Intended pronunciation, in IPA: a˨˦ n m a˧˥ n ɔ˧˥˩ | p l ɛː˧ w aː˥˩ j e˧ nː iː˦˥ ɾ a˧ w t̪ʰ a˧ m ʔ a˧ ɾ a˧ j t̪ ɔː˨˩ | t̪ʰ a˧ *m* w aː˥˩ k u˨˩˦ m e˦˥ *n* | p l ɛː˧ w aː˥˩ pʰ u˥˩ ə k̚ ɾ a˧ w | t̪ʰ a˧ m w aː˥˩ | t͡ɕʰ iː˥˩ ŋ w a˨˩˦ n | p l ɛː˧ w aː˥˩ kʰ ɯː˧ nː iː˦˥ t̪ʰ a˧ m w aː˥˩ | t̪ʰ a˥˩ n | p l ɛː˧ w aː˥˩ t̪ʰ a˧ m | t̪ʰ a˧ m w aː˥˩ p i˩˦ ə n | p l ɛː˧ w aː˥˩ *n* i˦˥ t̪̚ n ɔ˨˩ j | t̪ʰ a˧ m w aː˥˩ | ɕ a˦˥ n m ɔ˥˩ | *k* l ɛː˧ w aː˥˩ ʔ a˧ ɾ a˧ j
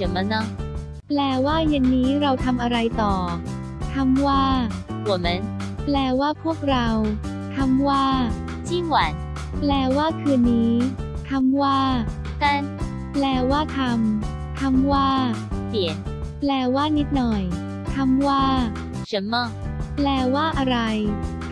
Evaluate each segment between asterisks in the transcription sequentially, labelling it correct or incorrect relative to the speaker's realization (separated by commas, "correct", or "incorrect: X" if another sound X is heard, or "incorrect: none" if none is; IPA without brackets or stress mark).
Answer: correct, correct, correct, incorrect: p